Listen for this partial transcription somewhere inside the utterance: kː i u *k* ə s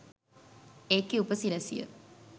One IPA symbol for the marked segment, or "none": p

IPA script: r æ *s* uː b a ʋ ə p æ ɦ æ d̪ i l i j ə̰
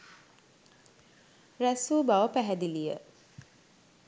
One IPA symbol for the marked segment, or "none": s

